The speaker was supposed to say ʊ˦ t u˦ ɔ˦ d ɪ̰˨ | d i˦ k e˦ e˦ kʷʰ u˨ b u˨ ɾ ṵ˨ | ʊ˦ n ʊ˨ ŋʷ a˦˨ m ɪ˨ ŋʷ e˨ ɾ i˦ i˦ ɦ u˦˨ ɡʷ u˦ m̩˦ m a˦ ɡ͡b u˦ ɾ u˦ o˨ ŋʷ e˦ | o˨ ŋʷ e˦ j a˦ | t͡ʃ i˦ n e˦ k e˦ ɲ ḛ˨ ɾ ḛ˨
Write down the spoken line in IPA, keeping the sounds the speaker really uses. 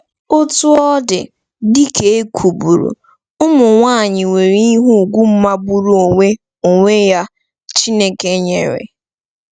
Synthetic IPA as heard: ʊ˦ t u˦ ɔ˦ d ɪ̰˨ | d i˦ k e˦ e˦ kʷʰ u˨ b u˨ ɾ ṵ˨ | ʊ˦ m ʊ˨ ŋʷ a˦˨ ɲ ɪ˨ ŋʷ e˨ ɾ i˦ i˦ ɦ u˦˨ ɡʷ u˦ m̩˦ m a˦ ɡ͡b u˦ ɾ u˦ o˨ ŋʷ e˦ | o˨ ŋʷ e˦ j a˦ | t͡ʃ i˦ n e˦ k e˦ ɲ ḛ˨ ɾ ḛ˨